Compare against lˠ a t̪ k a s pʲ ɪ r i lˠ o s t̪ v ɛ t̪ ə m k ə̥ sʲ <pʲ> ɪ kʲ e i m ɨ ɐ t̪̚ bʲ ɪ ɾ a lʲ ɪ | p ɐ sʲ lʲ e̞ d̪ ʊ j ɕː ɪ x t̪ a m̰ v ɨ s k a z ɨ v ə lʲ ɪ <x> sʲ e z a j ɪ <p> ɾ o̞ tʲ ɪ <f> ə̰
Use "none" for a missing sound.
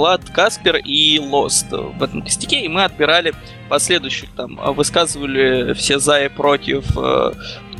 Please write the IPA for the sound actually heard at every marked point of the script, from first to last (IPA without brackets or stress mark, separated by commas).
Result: tʲ, f, p, f